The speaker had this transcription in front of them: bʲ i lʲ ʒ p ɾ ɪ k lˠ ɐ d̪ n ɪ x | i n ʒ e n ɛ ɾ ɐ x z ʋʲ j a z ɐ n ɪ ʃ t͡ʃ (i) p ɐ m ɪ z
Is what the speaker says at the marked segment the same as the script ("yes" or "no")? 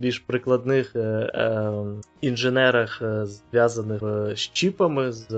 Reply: yes